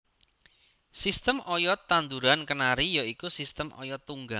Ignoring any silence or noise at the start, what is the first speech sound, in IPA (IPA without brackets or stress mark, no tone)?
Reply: s